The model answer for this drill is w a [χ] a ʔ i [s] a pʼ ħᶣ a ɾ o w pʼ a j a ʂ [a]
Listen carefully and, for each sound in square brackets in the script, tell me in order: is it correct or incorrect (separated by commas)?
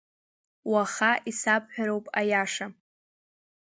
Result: correct, correct, correct